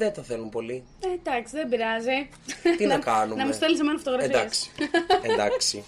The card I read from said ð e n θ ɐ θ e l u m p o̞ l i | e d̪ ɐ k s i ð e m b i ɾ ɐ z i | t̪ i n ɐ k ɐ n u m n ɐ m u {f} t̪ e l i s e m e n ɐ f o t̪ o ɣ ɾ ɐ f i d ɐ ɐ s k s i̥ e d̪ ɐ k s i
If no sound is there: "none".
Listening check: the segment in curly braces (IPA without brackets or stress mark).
s